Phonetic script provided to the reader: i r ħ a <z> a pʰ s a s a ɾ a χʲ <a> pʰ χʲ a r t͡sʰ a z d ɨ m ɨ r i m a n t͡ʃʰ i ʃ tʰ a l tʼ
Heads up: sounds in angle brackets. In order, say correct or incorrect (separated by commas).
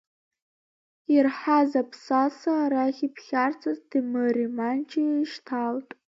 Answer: correct, incorrect